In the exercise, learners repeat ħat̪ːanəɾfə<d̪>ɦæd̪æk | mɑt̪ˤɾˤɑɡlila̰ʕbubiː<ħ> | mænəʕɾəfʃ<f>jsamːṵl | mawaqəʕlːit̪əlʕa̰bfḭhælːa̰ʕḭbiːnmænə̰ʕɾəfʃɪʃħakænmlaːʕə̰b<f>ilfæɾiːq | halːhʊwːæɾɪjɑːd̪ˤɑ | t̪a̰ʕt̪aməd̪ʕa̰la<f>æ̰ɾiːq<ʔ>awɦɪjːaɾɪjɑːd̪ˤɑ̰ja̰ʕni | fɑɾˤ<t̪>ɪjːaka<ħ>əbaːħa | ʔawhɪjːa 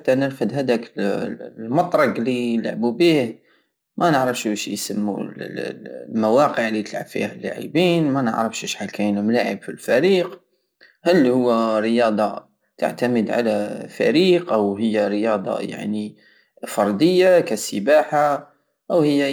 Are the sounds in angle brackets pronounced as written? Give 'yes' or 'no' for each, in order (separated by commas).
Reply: yes, no, no, yes, yes, yes, no, no